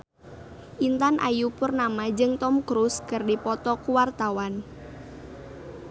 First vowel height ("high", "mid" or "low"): high